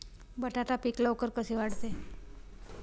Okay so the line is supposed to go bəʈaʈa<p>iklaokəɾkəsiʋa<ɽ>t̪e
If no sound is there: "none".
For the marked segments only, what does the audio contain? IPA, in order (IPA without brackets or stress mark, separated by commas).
p, ɽ